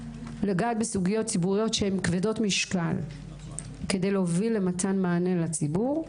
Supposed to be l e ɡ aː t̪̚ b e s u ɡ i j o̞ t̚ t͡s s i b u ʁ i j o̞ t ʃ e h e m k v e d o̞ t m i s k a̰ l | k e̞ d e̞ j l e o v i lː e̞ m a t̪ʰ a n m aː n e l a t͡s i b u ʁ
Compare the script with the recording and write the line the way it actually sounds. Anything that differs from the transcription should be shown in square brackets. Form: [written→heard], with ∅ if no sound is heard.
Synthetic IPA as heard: l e ɡ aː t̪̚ b e s u ɡ i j o̞ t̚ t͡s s i b u ʁ i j o̞ t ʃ e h e m k v e d o̞ t m i [s→ʃ] k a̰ l | k e̞ d e̞ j l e o v i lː e̞ m a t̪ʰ a n m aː n e l a t͡s i b u ʁ